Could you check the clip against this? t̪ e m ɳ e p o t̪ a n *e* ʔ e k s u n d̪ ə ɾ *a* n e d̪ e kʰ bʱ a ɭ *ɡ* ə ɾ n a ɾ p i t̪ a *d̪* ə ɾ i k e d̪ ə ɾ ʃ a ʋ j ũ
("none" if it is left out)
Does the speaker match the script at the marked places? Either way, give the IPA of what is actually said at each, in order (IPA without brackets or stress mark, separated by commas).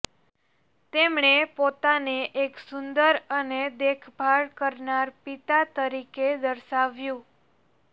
e, ə, k, t̪